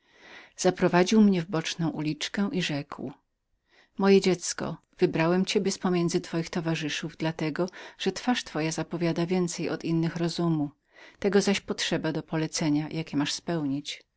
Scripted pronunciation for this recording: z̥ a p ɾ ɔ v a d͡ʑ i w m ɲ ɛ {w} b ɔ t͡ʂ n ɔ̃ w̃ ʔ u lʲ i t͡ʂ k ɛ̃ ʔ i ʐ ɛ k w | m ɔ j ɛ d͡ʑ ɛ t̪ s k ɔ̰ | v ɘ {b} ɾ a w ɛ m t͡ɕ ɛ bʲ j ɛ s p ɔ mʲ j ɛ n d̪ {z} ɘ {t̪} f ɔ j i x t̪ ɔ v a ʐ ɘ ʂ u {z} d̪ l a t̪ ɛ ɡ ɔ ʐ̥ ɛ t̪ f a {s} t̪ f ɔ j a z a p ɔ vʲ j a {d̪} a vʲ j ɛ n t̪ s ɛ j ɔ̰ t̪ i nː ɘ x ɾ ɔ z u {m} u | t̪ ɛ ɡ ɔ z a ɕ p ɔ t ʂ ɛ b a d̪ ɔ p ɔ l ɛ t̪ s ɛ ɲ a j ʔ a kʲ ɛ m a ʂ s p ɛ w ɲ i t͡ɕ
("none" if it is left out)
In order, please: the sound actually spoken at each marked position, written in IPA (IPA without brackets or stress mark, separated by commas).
v, b, z, t̪, v, ʂ, d̪, m